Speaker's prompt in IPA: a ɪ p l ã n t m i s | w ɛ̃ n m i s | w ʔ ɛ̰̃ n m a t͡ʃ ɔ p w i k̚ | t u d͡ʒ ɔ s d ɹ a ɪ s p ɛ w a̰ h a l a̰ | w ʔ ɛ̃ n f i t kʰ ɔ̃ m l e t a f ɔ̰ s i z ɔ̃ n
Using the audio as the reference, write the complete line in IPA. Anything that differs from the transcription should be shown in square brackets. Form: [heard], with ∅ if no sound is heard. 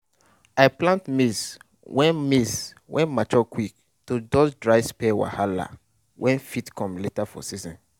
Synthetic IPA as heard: a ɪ p l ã n t m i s | w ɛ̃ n m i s | w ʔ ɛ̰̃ n m a t͡ʃ ɔ [k] w i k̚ | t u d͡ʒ ɔ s d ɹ a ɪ s p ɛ w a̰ h a l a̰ | w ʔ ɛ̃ n f i t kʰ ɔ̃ m l e t a f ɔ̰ s i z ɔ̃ n